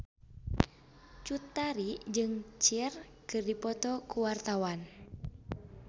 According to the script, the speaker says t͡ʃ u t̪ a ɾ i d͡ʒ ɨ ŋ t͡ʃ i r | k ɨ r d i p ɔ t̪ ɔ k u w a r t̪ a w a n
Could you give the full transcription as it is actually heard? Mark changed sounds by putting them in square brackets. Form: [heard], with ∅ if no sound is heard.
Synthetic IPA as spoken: t͡ʃ u t̪ a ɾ i d͡ʒ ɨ ŋ t͡ʃ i r | k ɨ r d i p ɔ t̪ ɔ k u w a r t̪ a w a n